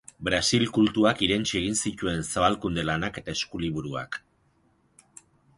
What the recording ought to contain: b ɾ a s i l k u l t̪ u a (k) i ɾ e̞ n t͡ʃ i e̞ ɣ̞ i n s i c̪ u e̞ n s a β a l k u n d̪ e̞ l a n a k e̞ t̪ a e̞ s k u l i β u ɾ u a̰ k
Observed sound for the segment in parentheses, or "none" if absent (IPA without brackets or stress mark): k